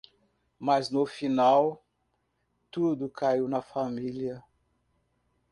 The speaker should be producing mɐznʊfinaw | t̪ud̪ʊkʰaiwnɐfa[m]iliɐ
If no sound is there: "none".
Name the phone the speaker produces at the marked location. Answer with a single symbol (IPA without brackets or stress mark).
m